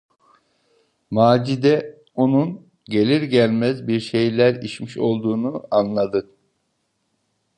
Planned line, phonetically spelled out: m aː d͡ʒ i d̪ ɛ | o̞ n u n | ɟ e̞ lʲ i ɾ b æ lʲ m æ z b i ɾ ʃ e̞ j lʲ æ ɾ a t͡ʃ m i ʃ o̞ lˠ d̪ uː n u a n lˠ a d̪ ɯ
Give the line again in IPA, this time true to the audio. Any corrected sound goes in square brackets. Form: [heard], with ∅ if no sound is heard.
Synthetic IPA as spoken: m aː d͡ʒ i d̪ ɛ | o̞ n u n | ɟ e̞ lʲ i ɾ [ɟ] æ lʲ m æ z b i ɾ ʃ e̞ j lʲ æ ɾ [i] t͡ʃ m i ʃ o̞ lˠ d̪ uː n u a n lˠ a d̪ ɯ